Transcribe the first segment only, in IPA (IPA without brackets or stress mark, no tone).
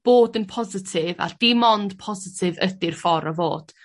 b̥